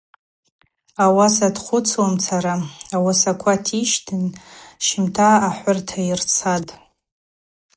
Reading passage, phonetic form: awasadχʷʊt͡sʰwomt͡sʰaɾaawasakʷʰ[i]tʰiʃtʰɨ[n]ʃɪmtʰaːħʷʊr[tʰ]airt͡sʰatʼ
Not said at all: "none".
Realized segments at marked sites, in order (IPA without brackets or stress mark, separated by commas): a, n, tʰ